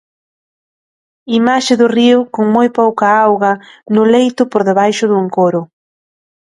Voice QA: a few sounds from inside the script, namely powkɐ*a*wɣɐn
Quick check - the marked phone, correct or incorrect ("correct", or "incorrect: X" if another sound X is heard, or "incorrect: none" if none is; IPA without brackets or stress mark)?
correct